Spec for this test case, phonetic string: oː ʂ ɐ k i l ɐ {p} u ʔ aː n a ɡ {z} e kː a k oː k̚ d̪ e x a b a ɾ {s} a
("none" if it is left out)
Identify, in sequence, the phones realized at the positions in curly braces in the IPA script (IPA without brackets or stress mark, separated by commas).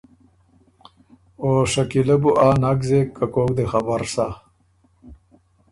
b, z, s